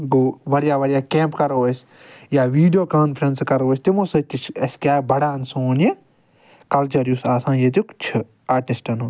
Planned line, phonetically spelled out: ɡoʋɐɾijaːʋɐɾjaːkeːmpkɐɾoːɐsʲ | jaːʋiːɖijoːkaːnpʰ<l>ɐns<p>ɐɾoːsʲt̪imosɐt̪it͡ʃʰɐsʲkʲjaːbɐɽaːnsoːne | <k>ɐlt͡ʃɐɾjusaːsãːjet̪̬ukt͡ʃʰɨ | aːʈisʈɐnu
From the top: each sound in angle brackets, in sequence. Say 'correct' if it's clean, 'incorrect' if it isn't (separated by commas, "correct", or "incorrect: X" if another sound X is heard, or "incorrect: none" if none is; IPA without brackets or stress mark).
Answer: incorrect: ɾ, incorrect: k, correct